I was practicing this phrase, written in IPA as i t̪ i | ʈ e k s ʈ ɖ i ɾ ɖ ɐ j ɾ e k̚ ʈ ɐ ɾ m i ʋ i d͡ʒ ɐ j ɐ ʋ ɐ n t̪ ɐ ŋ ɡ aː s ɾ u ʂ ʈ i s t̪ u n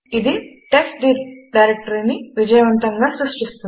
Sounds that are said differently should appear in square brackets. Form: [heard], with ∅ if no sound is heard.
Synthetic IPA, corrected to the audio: i [d̪] i | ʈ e k s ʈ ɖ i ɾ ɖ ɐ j ɾ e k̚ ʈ ɐ ɾ [n] i ʋ i d͡ʒ ɐ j ɐ ʋ ɐ n t̪ ɐ ŋ ɡ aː s ɾ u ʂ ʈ i s t̪ u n